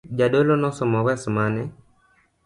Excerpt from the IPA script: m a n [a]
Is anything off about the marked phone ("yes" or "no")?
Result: yes